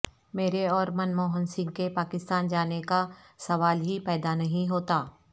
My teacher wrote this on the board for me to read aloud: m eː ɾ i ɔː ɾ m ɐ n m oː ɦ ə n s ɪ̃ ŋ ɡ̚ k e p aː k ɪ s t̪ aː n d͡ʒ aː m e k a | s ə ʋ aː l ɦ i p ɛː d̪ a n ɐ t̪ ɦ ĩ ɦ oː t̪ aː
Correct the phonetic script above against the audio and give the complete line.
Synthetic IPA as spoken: m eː ɾ e ɔː ɾ m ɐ n m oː ɦ ə n s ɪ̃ ŋ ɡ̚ k e p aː k ɪ s t̪ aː n d͡ʒ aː n e k a | s ɐ ʋ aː l ɦ i p ɛː d̪ a n ɐ ɦ ĩ ɦ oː t̪ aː